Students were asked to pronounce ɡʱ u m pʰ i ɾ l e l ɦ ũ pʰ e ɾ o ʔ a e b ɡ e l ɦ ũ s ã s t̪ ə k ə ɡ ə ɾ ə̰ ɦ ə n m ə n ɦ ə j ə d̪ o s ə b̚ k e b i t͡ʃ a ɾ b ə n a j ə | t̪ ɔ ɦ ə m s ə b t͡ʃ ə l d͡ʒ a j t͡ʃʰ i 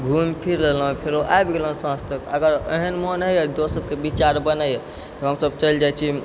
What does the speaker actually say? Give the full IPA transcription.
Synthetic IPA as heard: ɡʱ u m pʰ i ɾ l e l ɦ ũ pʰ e ɾ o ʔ a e b ɡ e l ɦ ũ s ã s t̪ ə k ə ɡ ə ɾ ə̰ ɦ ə n m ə n ɦ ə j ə d̪ o s ə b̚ k e b i t͡ʃ a ɾ b ə n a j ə | t̪ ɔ ɦ ə m s ə b t͡ʃ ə l d͡ʒ a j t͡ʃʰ i